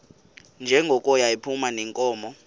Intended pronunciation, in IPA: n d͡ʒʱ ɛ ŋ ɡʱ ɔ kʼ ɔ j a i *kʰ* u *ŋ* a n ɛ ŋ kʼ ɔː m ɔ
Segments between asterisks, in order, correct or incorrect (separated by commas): incorrect, incorrect